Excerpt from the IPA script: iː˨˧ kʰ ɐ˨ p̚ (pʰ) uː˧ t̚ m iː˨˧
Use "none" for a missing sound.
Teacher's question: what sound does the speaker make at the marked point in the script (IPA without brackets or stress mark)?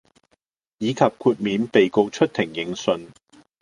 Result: kʰ